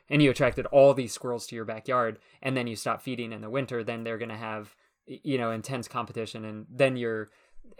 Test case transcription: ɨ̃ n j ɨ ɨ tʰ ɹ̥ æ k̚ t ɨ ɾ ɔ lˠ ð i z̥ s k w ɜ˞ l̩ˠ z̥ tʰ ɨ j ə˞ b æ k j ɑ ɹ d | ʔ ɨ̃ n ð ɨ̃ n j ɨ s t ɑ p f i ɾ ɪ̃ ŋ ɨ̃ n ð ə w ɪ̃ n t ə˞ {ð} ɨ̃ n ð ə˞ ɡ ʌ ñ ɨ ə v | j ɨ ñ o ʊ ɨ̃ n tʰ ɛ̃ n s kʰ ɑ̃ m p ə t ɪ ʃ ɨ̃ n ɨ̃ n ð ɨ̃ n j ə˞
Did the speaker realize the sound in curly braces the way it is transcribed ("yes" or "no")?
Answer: yes